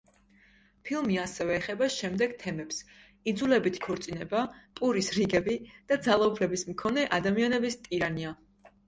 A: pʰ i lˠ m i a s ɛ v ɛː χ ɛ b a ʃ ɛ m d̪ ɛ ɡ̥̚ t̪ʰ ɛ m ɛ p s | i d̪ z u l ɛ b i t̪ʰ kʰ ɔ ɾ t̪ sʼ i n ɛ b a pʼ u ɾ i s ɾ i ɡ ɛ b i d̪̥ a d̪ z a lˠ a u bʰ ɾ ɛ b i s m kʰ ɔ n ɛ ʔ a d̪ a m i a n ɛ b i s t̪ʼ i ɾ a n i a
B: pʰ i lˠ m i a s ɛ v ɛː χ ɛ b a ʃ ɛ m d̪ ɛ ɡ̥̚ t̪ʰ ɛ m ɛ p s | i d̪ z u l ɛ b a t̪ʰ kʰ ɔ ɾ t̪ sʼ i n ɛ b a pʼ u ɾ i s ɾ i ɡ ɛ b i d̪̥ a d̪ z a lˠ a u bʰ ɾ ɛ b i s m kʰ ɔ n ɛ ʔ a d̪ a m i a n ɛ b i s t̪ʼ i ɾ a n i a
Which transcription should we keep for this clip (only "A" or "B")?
A